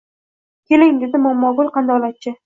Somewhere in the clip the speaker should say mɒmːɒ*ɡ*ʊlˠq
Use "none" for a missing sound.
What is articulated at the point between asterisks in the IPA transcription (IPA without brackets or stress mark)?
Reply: ɡ